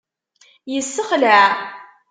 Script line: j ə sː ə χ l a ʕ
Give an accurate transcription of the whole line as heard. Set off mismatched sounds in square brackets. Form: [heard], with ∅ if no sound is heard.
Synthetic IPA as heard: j ə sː ə χ l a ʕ